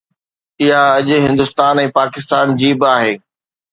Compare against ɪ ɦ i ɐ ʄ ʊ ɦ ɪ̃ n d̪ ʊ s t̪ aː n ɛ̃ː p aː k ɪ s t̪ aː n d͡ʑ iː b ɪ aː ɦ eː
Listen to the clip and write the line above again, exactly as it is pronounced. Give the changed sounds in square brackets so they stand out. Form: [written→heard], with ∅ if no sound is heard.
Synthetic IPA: ɪ ɦ [i→a] ɐ ʄ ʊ ɦ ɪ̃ n d̪ ʊ s t̪ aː n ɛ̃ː p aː k ɪ s t̪ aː n d͡ʑ iː b ɪ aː ɦ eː